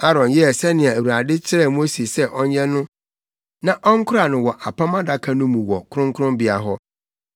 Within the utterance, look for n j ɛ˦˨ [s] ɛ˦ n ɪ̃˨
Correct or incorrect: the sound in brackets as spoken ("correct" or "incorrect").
correct